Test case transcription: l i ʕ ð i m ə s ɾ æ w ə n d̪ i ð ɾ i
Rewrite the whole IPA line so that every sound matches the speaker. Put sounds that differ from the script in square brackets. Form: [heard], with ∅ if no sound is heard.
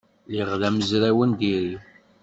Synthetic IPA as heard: l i [ʁ] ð [æ] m ə [z] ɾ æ w ə n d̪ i [∅] ɾ i